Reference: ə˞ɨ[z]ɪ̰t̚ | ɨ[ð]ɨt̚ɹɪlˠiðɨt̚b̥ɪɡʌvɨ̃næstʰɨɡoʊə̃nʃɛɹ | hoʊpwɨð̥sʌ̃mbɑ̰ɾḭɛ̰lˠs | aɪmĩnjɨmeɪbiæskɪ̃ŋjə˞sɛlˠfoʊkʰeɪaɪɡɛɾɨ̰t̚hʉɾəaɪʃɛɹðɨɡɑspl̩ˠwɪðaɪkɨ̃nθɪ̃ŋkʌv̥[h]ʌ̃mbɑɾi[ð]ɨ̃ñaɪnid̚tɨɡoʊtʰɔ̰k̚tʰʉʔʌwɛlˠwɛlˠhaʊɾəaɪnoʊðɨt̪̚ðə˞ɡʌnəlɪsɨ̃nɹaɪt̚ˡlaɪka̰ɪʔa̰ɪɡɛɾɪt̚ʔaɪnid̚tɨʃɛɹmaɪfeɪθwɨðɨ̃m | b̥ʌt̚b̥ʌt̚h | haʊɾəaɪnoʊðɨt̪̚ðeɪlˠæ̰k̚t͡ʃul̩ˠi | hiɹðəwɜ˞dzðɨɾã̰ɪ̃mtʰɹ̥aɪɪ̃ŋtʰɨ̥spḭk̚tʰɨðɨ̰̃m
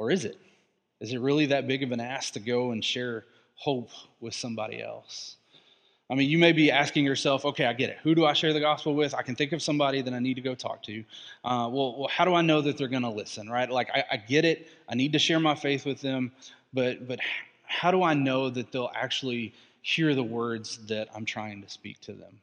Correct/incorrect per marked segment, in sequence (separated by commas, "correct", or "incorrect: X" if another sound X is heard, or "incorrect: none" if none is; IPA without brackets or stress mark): correct, incorrect: z, incorrect: s, correct